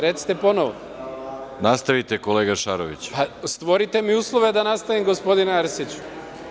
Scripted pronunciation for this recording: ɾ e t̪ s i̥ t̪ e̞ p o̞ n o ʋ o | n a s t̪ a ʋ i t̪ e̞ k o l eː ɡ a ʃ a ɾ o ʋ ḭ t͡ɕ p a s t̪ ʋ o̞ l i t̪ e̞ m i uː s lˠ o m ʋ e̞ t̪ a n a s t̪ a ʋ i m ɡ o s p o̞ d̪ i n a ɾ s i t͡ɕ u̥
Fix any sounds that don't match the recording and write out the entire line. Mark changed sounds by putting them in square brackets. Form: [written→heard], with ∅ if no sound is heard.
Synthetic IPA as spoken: ɾ e t̪ s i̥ t̪ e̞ p o̞ n o ʋ o | n a s t̪ a ʋ i t̪ e̞ k o l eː ɡ a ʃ a ɾ o ʋ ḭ t͡ɕ p a s t̪ ʋ o̞ [l→ɾ] i t̪ e̞ m i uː s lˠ o [m→∅] ʋ e̞ [t̪→d̪] a n a s t̪ a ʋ i m ɡ o s p o̞ d̪ i n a ɾ s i t͡ɕ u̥